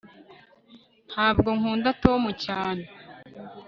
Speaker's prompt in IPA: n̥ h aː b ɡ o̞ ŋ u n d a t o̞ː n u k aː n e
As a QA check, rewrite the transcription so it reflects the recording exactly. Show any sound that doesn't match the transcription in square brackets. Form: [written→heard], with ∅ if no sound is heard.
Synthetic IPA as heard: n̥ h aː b ɡ o̞ ŋ [u→uː] n d a t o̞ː [n→m] u [k→c] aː n e